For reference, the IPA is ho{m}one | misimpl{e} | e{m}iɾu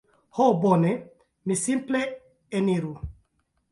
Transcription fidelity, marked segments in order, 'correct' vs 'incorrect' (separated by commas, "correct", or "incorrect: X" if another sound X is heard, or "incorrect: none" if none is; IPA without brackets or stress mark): incorrect: b, correct, incorrect: n